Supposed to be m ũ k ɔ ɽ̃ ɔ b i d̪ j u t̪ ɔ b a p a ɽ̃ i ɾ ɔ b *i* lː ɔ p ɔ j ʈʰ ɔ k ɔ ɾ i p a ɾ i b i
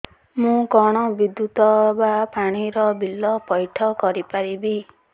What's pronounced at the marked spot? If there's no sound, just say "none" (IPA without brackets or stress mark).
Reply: i